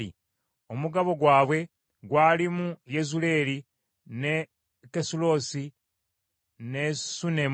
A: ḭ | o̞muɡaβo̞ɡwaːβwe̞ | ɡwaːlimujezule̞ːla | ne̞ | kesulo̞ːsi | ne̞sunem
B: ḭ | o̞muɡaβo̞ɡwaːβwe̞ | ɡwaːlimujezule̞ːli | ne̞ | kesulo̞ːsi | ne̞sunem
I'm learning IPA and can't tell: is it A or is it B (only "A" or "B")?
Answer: B